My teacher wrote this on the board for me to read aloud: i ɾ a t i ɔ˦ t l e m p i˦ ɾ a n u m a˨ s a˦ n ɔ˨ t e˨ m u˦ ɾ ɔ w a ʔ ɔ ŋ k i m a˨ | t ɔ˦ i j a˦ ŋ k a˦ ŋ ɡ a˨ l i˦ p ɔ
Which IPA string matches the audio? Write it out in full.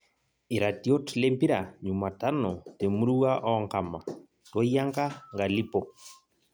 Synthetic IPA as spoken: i ɾ a t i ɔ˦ t l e m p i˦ ɾ a ɲ u m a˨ t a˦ n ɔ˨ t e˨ m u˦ ɾ u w a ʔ ɔ ŋ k a m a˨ | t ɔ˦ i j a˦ ŋ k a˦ ŋ ɡ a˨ l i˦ p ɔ